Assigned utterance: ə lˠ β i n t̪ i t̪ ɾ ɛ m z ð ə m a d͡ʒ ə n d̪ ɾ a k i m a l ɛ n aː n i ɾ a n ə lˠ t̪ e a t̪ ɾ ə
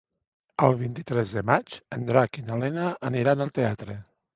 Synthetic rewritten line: ə lˠ β i n t̪ i t̪ ɾ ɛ z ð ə m a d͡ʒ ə n d̪ ɾ a k i n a l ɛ n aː n i ɾ a n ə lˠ t̪ e a t̪ ɾ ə